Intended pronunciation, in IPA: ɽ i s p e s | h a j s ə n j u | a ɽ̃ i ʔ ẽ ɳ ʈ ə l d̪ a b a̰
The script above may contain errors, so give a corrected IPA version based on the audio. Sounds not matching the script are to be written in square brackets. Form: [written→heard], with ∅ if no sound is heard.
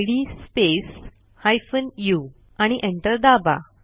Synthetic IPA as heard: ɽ i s p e s | h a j [s→f] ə n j u | a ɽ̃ i ʔ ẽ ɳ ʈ ə [l→ɾ] d̪ a b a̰